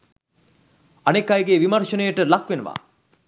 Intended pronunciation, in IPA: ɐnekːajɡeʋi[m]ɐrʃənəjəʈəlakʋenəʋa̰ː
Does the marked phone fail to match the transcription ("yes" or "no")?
no